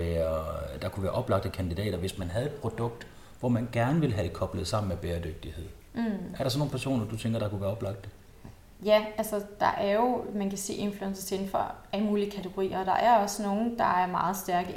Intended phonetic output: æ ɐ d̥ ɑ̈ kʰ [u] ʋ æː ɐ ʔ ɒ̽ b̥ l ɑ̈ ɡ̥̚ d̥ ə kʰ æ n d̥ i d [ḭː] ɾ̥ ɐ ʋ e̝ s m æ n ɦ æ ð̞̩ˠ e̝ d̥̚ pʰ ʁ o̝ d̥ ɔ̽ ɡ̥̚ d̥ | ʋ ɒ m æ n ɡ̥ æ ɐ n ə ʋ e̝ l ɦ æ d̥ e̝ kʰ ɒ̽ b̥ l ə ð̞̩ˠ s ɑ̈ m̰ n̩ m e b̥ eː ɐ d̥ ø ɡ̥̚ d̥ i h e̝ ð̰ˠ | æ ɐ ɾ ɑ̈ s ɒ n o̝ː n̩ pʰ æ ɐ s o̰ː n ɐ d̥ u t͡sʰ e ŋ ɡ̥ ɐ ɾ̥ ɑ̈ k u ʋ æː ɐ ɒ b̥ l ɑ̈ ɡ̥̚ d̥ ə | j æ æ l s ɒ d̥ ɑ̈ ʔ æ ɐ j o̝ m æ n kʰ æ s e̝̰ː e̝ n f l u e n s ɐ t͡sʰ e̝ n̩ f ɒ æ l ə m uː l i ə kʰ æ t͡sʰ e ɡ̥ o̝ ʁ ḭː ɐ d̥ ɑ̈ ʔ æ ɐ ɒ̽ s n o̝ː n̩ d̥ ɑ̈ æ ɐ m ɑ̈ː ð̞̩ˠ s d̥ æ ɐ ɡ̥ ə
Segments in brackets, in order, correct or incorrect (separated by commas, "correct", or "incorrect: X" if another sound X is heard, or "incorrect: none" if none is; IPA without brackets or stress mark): correct, incorrect: ɛ̰ː